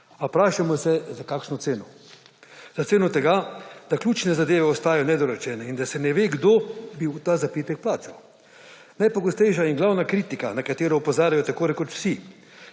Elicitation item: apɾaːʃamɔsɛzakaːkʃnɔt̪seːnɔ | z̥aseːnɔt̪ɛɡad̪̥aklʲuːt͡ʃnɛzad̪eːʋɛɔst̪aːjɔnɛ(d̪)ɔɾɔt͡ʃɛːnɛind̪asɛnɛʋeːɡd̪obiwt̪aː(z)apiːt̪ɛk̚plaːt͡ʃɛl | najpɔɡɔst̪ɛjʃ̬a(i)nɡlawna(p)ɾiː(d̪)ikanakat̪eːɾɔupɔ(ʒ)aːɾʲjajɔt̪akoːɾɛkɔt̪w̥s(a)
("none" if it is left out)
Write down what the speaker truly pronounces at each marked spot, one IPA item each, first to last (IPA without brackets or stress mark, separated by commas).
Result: d̪, z, i, k, t̪, z, i